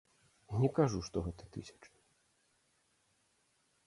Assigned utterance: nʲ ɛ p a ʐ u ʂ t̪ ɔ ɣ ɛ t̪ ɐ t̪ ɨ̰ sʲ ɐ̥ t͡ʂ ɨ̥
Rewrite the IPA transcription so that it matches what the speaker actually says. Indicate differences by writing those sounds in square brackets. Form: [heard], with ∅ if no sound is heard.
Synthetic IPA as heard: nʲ ɛ [k] a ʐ u ʂ t̪ ɔ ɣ ɛ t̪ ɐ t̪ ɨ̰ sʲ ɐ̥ t͡ʂ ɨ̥